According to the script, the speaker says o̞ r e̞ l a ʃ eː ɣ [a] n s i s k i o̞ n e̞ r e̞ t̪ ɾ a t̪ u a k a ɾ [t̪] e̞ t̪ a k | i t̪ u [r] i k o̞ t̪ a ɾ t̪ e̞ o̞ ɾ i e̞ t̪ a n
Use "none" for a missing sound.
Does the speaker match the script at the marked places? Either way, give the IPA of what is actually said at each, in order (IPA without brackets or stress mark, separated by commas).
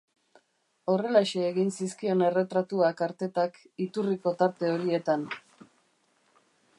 i, t̪, r